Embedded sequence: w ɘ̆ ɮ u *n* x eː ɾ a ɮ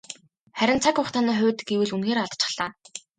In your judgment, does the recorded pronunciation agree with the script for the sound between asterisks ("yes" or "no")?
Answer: yes